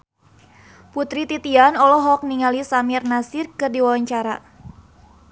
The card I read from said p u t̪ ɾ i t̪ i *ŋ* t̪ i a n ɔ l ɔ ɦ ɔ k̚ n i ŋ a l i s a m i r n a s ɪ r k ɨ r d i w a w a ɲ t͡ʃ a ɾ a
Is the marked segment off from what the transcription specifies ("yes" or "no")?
yes